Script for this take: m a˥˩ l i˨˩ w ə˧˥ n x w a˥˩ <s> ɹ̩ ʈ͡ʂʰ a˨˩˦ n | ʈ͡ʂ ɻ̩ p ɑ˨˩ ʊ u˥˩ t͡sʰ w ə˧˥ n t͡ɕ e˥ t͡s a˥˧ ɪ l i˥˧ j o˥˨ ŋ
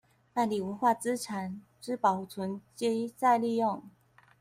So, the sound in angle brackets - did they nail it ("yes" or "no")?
no